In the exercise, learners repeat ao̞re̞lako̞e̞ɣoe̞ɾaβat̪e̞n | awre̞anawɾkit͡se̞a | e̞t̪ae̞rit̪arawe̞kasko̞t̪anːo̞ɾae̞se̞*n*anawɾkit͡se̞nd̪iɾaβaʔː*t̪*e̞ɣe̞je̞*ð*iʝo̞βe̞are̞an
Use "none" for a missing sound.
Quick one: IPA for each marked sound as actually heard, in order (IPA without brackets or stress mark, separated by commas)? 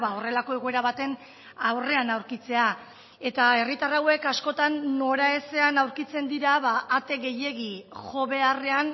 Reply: none, t̪, ɣ